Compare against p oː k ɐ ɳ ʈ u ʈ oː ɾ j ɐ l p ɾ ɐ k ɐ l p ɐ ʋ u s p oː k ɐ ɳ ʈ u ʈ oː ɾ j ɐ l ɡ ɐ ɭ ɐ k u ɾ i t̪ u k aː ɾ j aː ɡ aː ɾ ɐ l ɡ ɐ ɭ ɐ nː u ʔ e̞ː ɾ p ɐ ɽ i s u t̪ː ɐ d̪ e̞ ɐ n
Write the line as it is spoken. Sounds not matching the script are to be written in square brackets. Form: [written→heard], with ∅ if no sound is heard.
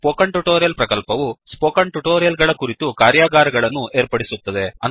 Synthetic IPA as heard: p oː k ɐ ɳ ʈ u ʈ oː ɾ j ɐ l p ɾ ɐ k ɐ l p ɐ ʋ u s p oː k ɐ ɳ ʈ u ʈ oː ɾ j ɐ l ɡ ɐ ɭ ɐ k u ɾ i t̪ u k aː ɾ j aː ɡ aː ɾ ɐ [l→∅] ɡ ɐ ɭ ɐ nː u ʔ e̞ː ɾ p ɐ ɽ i s u t̪ː ɐ d̪ e̞ ɐ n